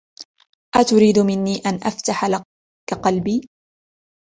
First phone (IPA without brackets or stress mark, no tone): ʔ